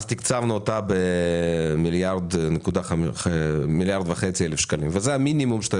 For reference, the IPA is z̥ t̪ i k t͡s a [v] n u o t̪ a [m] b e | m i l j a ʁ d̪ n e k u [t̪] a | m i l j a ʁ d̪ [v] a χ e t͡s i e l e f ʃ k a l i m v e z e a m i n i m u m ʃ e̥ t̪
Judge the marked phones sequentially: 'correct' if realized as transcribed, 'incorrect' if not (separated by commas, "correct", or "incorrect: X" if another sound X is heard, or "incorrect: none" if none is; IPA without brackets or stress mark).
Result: correct, incorrect: none, incorrect: d̪, correct